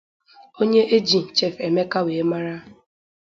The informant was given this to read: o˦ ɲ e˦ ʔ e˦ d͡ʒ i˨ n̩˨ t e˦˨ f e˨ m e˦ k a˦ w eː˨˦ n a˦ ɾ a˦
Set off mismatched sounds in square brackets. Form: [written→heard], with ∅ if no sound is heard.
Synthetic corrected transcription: o˦ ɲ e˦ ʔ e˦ d͡ʒ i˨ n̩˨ [t→t͡ʃ] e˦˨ f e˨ m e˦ k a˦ w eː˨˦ [n→m] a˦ ɾ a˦